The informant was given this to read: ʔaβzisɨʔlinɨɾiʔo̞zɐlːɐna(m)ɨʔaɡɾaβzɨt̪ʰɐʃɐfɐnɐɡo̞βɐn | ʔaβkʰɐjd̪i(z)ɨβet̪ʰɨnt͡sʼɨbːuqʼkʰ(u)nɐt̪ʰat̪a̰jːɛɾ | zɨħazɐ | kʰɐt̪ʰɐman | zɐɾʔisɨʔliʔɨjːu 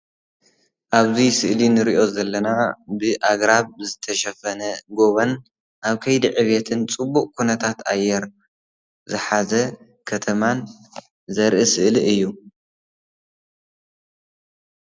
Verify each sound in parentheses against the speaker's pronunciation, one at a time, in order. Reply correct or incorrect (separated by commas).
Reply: incorrect, incorrect, correct